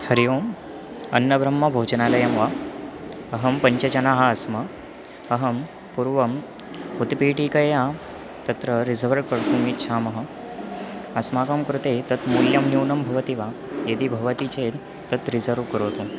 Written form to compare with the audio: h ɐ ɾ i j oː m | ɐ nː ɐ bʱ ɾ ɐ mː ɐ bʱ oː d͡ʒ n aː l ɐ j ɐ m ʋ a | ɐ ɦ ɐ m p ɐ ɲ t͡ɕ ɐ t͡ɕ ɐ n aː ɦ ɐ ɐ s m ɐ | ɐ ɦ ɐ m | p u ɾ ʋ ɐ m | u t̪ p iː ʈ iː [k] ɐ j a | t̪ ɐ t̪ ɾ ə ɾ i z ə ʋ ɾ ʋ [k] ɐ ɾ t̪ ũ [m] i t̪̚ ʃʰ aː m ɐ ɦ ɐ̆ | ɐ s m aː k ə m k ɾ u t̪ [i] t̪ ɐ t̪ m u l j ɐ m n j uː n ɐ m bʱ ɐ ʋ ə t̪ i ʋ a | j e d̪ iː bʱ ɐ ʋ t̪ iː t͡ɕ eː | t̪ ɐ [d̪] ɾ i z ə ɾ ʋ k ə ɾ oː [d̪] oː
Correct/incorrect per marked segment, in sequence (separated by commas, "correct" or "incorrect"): correct, correct, correct, incorrect, incorrect, incorrect